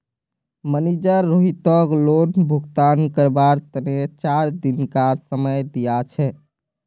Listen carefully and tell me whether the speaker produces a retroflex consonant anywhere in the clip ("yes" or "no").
no